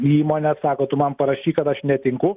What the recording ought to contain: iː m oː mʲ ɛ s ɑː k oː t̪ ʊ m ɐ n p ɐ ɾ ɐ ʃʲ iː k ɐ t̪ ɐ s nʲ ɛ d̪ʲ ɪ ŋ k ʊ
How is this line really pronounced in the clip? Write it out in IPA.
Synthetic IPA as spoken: iː m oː nʲ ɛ s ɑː k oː t̪ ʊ m ɐ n p ɐ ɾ ɐ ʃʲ iː k ɐ t̪ ɐ ʃ nʲ ɛ t̪ʲ ɪ ŋ k ʊ